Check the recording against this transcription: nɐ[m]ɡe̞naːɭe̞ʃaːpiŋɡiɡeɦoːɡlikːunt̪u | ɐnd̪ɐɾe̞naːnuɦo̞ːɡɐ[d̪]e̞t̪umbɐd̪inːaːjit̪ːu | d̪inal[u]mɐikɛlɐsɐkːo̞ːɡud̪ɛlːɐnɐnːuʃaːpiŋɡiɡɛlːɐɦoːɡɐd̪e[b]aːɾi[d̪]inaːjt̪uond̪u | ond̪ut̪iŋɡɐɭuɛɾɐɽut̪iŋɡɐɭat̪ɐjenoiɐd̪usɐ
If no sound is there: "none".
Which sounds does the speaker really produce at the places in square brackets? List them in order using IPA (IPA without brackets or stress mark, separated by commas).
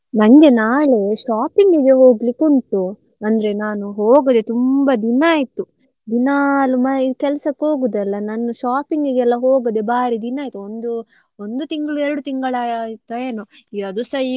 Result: ŋ, d̪, u, b, d̪